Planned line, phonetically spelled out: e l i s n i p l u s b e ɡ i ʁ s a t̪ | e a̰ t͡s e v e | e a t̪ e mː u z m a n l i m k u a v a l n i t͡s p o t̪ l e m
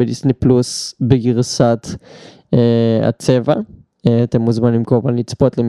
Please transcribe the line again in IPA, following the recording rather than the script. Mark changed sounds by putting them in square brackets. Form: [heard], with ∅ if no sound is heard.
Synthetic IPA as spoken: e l i s n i p l u s b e ɡ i ʁ s a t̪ | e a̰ t͡s e v [a] | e a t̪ e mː u z m a n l i m k [o] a v a l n i t͡s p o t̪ l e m